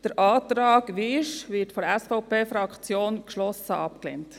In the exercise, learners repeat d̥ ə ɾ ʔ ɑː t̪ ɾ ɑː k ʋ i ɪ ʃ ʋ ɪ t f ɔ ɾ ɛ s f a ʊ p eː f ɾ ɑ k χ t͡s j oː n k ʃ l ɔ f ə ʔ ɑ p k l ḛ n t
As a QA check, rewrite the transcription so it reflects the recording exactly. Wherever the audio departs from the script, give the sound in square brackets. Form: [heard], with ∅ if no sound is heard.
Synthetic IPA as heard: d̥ ə ɾ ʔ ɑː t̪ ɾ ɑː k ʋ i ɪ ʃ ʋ ɪ t f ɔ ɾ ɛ s f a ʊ p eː f ɾ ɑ k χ t͡s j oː n k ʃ l ɔ [s] ə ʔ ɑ p k l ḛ n t

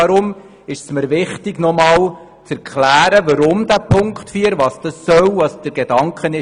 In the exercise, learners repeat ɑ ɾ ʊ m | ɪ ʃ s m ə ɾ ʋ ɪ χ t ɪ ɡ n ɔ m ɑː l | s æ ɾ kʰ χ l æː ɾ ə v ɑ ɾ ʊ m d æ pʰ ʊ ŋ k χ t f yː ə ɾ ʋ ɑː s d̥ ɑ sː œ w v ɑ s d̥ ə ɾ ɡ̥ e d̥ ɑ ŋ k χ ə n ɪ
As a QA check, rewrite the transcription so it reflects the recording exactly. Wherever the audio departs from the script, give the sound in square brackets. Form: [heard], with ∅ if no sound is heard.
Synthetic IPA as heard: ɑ ɾ ʊ m | ɪ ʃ s m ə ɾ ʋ ɪ χ t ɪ ɡ n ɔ m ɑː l | [t͡s] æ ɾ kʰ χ l æː ɾ ə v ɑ ɾ ʊ m d æ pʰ ʊ ŋ k χ t f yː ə ɾ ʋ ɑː s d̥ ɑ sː œ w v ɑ s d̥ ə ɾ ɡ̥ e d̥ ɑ ŋ k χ ə n ɪ

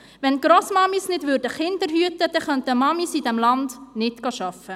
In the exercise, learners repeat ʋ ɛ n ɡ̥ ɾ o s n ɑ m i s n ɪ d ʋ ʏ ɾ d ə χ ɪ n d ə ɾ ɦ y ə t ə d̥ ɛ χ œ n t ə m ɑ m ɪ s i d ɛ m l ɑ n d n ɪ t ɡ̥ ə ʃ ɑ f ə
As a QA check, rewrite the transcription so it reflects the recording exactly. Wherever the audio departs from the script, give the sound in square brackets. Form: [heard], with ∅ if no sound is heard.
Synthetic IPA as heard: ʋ ɛ n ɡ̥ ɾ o s [m] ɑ m i s n ɪ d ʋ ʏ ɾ d ə χ ɪ n d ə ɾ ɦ y ə t ə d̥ ɛ χ œ n t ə m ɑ m [i] s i d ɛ m l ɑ n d n ɪ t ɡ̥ [ɑ] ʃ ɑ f ə

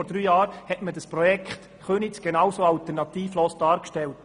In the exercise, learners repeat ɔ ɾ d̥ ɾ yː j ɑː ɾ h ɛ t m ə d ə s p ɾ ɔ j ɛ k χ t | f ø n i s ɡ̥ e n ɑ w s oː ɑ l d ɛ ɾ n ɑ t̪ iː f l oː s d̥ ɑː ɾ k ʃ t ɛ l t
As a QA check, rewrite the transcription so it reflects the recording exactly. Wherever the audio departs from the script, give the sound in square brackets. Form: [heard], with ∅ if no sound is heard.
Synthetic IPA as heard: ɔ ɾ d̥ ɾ yː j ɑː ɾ h ɛ t m ə d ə s p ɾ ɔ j ɛ k χ t | [χ] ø n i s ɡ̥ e n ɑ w s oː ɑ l [t] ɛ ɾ n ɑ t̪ iː f l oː s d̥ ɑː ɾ k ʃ t ɛ l t

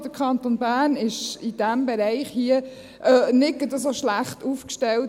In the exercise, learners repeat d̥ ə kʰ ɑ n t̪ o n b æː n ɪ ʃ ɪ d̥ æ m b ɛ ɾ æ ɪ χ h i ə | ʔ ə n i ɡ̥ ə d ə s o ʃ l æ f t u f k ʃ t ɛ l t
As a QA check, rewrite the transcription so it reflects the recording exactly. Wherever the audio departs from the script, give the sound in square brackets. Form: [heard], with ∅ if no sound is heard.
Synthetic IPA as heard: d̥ ə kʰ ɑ n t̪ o n b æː n ɪ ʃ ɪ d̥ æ m b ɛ ɾ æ ɪ χ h i ə | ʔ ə n [ɪ] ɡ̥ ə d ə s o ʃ l æ [χ] t u f k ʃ t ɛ l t

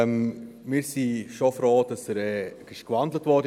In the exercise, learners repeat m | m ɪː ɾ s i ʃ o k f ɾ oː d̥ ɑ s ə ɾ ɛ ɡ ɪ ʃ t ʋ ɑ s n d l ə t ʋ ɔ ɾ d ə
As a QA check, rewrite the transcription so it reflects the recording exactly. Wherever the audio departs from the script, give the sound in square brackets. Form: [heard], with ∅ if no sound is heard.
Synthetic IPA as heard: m | m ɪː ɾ s i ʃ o [∅] f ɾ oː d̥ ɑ s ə ɾ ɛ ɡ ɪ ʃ [k] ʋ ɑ [∅] n d l ə t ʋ ɔ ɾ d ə

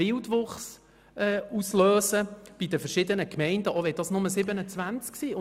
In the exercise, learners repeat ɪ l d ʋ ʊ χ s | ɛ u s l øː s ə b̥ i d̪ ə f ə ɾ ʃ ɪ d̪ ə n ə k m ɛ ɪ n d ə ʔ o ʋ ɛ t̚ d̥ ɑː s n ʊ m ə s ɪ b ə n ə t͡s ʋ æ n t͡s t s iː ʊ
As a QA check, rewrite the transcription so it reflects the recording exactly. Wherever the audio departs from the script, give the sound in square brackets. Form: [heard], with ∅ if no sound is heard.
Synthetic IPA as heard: ɪ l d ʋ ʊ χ s | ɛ u s l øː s ə b̥ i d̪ ə f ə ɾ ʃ ɪ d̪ ə n ə k m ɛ ɪ n d ə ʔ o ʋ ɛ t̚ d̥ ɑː s n ʊ m ə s ɪ b ə n ə t͡s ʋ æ n t͡s [k] s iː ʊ

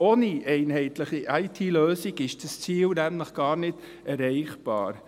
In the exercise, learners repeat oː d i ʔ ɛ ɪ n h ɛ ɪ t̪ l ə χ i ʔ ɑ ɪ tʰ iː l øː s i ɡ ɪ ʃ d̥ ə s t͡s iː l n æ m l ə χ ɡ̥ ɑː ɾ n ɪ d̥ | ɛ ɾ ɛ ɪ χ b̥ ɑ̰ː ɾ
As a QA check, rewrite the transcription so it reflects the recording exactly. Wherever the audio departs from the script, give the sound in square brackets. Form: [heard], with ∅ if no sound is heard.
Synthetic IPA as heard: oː [n] i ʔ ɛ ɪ n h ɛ ɪ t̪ l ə χ i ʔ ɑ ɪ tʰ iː l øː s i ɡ ɪ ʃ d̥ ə s t͡s iː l n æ m l ə χ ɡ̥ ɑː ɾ n ɪ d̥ | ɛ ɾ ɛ ɪ χ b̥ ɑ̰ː ɾ

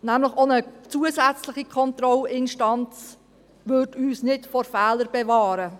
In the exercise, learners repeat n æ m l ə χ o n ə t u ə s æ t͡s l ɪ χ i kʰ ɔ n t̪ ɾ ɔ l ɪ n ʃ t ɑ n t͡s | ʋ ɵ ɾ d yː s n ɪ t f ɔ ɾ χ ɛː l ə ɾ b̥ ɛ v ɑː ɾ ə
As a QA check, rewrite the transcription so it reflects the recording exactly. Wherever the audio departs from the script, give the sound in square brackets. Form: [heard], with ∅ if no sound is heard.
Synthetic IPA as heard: n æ m l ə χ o n ə [t͡s] u ə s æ t͡s l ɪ χ i kʰ ɔ n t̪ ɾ ɔ l ɪ n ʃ t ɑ n t͡s | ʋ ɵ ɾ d yː s n ɪ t f ɔ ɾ [f] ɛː l ə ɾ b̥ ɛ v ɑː ɾ ə

